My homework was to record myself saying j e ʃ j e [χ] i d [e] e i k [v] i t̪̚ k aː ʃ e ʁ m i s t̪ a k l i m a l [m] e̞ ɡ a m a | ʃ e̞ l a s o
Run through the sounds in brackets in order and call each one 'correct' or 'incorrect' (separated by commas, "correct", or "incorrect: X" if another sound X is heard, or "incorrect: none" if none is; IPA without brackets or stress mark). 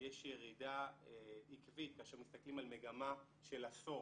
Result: incorrect: ʁ, incorrect: a, correct, correct